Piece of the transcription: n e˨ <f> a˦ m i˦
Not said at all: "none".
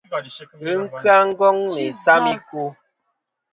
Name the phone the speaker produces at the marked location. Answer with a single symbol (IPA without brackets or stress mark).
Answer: s